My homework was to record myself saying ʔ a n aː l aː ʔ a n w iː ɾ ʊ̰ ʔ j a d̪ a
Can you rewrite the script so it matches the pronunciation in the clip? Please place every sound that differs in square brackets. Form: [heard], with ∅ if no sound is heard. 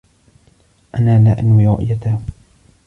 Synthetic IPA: ʔ a n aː l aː ʔ a n w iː ɾ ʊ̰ ʔ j a [t̪] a